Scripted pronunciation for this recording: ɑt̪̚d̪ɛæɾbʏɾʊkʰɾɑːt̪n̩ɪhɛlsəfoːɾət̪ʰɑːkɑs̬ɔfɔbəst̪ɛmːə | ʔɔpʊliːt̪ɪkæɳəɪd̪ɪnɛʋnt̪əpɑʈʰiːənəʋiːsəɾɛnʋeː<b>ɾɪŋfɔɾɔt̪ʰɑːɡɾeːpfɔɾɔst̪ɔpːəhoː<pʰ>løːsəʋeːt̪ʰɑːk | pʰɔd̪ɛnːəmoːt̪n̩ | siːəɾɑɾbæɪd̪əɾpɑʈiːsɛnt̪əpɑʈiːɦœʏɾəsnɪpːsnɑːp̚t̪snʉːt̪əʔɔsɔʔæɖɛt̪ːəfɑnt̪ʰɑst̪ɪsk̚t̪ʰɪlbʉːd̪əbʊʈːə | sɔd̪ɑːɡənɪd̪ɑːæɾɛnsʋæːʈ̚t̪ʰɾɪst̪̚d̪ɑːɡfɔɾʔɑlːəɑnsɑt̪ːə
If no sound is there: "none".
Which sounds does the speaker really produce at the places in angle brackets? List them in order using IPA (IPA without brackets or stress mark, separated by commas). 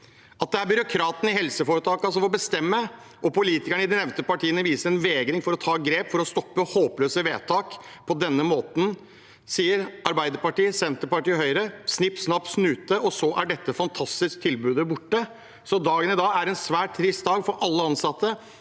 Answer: ɡ, p